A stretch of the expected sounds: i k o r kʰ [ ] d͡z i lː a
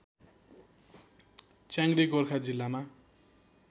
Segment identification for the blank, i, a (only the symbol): a